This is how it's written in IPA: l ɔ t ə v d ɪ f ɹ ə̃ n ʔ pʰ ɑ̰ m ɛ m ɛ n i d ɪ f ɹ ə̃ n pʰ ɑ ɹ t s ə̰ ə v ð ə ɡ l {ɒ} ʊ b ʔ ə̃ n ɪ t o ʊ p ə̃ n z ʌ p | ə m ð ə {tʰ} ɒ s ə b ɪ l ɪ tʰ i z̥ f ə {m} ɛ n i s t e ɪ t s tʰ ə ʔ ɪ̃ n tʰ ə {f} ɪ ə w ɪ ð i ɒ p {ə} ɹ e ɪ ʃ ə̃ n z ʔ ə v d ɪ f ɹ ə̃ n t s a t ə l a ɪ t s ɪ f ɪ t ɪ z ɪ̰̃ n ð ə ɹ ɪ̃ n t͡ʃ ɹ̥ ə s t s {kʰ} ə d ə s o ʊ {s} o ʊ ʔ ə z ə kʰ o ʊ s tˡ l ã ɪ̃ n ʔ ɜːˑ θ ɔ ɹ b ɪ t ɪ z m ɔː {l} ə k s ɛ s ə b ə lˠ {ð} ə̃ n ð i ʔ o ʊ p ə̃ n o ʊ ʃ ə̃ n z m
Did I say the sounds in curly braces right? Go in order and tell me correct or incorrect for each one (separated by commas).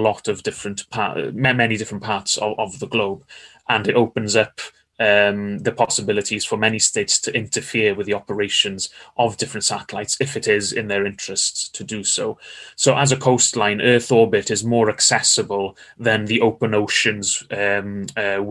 incorrect, incorrect, correct, correct, correct, incorrect, correct, incorrect, correct